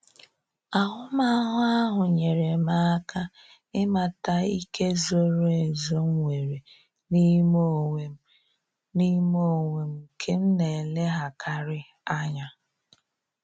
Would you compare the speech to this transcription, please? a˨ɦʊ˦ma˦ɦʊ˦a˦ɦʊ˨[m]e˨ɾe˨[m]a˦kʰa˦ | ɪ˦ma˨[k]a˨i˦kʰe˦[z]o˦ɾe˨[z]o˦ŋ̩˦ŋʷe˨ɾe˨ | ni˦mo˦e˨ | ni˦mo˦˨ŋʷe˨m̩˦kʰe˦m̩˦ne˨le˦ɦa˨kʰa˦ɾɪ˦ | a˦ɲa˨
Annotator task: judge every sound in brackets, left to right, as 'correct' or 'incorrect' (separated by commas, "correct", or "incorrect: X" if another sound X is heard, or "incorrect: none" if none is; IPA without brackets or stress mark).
incorrect: ɲ, correct, incorrect: t, correct, correct